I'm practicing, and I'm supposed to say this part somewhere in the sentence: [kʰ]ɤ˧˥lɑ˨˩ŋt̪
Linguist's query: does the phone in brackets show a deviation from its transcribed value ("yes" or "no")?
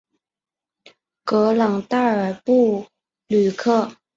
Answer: yes